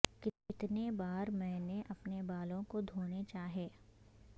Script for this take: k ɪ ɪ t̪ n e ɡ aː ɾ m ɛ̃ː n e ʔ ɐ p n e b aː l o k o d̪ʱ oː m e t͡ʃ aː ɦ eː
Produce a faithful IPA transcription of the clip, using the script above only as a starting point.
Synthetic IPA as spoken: k ɪ ɪ t̪ n e b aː ɾ m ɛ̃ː n e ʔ ɐ p n e b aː l õ k o d̪ʱ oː n e t͡ʃ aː ɦ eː